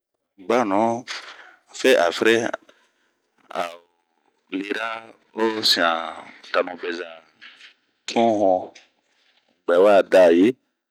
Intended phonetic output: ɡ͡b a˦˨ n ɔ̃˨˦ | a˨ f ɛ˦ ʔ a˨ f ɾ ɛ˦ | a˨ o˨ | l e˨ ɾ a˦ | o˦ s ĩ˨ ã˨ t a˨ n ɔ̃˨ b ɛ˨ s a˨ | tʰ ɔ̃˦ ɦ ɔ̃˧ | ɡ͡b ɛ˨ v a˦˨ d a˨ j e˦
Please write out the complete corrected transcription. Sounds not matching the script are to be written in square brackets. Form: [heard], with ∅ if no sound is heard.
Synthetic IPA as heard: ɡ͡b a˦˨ n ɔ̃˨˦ | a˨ f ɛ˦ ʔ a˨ f ɾ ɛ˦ | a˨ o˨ | l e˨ ɾ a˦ | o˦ s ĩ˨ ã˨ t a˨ n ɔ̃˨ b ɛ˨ [z] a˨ | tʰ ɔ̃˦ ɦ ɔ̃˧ | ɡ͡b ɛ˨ [w] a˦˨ d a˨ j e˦